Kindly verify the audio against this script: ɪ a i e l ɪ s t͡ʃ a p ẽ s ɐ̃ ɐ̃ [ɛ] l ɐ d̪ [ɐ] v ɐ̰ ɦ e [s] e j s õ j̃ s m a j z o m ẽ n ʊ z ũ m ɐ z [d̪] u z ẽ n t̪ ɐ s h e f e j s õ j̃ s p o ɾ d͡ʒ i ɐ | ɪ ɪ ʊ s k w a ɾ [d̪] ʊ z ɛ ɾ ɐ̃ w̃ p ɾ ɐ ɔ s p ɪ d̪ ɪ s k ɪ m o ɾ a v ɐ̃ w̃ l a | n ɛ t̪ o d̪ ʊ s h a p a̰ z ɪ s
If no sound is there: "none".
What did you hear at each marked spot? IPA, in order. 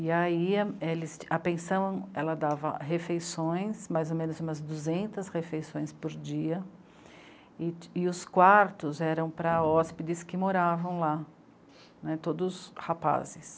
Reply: ɛ, a, f, d̪, t̪

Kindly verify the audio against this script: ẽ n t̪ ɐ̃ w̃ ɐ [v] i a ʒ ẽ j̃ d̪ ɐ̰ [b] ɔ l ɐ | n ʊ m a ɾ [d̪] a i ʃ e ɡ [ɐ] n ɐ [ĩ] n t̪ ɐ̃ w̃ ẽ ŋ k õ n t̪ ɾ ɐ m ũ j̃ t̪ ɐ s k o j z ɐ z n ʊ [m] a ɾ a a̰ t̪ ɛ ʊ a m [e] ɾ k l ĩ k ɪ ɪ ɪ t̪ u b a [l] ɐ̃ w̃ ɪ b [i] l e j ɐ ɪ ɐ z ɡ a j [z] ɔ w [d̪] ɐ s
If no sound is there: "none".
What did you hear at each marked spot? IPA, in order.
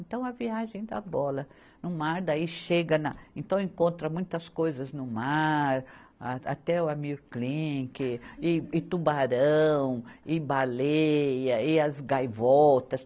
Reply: v, b, d̪, ɐ, ẽ, m, i, ɾ, a, v, t̪

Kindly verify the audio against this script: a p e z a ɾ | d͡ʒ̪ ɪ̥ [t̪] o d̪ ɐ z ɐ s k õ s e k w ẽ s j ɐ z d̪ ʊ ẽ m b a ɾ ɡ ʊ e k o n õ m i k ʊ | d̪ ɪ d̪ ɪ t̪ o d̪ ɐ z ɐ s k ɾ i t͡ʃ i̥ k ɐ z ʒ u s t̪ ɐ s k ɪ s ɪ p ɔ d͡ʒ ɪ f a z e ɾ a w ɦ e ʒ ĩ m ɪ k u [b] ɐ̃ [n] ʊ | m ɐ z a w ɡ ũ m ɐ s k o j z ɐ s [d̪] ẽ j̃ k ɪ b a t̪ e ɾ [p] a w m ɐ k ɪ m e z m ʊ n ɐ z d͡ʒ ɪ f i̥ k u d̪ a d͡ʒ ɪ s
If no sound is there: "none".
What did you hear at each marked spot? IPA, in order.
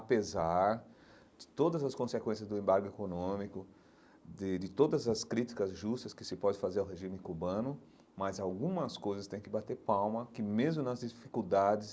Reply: t̪, b, n, t̪, p

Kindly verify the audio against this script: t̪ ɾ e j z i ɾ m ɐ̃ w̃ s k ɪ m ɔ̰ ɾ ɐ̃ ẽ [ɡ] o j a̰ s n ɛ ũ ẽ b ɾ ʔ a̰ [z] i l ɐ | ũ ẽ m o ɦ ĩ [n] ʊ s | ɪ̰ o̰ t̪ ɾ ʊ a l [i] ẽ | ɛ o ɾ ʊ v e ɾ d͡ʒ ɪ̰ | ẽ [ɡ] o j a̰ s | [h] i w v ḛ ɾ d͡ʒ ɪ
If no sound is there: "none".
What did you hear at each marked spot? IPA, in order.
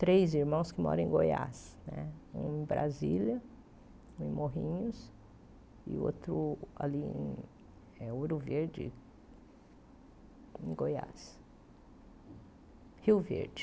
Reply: ɡ, z, ɲ, i, ɡ, h

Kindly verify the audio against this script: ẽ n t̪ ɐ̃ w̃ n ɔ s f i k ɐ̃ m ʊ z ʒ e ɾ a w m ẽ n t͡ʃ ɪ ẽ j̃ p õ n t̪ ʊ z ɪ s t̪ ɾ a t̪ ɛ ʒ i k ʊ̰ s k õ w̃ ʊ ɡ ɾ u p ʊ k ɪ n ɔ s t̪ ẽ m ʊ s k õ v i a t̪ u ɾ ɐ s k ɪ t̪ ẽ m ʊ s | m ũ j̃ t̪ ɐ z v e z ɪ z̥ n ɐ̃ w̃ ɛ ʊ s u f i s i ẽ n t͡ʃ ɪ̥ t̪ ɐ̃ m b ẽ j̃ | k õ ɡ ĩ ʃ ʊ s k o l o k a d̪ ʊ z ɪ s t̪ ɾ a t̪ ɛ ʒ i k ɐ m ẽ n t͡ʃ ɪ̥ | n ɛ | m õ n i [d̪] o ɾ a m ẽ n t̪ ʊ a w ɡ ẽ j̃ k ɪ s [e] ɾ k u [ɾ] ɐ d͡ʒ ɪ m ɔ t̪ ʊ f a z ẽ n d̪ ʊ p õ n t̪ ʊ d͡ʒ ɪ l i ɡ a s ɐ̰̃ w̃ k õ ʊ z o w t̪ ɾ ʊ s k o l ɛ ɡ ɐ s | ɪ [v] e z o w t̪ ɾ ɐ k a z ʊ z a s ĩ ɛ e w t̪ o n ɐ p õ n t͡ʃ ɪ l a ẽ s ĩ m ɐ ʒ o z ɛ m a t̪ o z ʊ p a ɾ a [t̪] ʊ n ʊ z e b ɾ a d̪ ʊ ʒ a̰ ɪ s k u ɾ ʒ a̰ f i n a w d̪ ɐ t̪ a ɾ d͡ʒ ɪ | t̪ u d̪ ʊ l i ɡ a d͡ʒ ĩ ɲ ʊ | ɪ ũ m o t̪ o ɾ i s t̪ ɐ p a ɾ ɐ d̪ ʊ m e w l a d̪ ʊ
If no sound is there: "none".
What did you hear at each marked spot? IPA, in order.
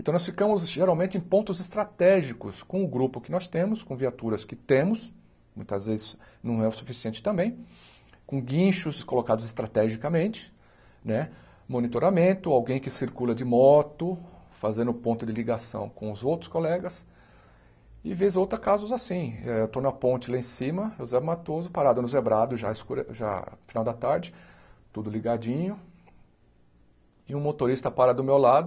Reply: t̪, i, l, v, d̪

